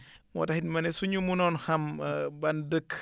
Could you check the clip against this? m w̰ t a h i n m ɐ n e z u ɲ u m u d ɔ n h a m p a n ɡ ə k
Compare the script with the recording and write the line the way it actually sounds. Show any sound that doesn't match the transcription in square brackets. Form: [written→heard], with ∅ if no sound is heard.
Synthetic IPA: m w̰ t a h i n m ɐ n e [z→s] u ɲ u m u [d→n] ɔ n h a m [p→b] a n [ɡ→d] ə k